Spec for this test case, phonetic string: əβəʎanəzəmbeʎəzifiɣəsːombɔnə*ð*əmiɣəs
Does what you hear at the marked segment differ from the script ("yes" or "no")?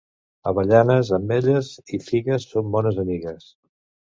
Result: yes